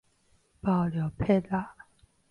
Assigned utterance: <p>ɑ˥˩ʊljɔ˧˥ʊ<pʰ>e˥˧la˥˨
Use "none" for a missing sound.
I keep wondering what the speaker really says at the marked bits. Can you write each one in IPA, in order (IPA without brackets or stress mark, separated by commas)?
p, pʰ